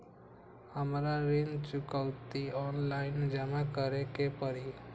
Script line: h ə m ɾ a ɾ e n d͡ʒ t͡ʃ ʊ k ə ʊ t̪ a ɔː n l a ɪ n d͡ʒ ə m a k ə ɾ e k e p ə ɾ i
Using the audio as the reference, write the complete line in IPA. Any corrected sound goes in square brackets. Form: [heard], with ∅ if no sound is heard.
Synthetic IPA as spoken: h ə m ɾ a ɾ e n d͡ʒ t͡ʃ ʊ k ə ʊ t̪ [i] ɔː n l a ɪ n d͡ʒ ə m a k ə ɾ e k e p ə ɾ i